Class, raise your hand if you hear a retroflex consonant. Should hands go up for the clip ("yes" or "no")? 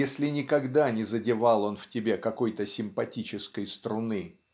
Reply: no